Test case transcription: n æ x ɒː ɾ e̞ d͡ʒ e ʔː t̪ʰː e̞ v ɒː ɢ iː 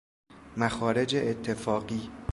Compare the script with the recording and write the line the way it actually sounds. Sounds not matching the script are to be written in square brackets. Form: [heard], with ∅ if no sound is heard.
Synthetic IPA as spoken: [m] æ x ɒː ɾ e̞ d͡ʒ e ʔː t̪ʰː e̞ [f] ɒː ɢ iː